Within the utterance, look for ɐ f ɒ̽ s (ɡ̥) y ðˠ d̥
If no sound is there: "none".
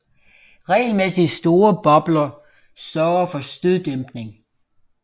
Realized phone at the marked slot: d̥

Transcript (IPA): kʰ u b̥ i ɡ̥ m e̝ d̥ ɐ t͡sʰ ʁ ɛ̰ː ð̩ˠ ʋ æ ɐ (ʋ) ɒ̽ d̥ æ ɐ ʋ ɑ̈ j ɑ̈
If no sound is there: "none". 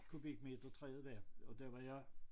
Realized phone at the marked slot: none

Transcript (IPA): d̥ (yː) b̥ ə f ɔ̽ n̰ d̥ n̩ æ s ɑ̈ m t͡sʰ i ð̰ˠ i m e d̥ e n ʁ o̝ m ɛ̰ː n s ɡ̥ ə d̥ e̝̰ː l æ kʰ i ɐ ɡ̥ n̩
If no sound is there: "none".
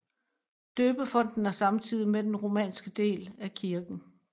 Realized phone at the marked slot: øː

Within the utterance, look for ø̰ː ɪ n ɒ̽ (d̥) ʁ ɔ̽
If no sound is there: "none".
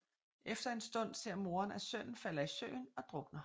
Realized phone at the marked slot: d̥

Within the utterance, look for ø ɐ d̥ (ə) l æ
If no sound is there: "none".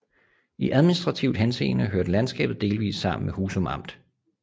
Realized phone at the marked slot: ə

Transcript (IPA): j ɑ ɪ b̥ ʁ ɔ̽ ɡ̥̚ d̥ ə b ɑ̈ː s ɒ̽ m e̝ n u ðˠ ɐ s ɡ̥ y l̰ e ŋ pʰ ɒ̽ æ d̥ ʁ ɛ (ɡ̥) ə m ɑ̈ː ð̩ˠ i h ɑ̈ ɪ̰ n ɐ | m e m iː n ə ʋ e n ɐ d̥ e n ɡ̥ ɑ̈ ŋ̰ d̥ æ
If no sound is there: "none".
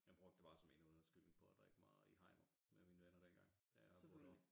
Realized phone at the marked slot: ɡ̥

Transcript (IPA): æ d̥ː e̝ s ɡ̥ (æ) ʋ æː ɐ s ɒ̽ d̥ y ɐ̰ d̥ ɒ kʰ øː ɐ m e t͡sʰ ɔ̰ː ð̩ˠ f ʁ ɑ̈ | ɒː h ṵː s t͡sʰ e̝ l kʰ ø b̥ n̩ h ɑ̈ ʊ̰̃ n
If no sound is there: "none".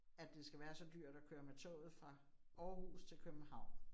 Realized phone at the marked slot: æ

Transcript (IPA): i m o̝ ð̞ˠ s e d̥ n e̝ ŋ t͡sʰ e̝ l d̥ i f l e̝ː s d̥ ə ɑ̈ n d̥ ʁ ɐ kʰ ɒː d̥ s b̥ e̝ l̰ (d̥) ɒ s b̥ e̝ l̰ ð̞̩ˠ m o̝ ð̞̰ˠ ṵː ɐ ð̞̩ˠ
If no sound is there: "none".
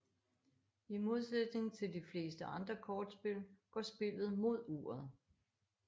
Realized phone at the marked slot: ɡ̥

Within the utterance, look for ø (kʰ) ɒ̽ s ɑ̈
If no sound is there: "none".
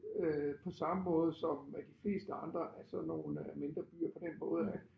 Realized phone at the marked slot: pʰ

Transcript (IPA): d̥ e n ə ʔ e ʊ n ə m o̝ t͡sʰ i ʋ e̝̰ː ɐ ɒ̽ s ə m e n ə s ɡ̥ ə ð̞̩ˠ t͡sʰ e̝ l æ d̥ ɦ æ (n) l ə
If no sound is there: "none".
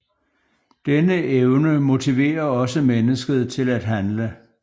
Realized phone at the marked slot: n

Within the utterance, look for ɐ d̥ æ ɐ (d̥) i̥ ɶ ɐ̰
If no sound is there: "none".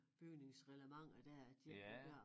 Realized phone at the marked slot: d̥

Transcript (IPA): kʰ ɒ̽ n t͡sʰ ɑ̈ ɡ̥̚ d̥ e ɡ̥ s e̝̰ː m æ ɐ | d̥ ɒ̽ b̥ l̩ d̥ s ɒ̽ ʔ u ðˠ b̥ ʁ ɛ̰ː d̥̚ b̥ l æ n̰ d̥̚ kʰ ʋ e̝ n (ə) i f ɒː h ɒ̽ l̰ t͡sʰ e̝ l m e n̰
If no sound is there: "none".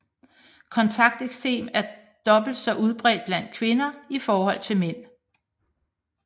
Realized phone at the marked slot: ɐ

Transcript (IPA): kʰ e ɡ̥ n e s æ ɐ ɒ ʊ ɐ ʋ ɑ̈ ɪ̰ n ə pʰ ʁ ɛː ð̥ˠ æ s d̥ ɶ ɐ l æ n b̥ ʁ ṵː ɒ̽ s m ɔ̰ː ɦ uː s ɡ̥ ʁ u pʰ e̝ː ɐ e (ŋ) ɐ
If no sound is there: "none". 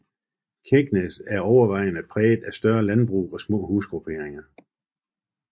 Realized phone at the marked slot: ŋ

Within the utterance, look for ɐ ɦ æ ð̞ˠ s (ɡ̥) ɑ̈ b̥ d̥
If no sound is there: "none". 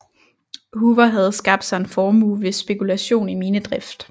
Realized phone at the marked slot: ɡ̥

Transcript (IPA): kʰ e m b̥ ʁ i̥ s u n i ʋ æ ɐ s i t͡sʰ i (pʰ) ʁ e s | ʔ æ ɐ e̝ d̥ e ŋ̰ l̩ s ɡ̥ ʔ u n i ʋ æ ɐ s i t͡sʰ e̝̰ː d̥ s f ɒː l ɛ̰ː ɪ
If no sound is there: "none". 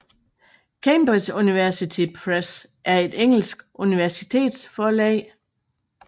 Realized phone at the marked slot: pʰ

